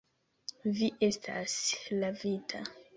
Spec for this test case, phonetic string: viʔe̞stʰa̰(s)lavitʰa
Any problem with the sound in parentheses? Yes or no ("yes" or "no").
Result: no